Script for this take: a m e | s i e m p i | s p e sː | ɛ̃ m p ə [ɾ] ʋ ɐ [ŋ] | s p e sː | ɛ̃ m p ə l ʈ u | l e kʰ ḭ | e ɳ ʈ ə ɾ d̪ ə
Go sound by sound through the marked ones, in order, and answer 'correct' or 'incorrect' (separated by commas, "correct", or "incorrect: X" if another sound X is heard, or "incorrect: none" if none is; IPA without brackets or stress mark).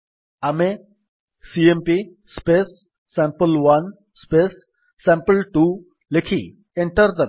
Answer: incorrect: l, incorrect: n